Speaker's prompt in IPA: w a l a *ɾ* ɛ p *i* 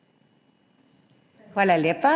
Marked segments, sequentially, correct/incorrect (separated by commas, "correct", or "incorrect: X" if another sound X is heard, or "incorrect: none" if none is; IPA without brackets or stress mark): incorrect: l, incorrect: a